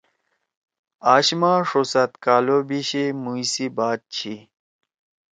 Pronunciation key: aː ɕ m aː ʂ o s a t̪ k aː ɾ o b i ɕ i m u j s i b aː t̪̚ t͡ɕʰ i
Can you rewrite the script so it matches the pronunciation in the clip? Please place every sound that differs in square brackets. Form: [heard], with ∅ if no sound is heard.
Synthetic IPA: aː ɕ m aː ʂ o s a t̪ k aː [l] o b i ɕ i m u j s i b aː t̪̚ t͡ɕʰ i